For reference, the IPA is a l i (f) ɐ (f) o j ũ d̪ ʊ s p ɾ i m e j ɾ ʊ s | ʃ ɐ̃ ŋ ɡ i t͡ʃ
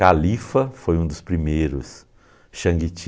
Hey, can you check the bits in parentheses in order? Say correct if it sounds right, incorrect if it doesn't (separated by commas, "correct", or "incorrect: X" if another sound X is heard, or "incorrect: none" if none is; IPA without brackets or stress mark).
correct, correct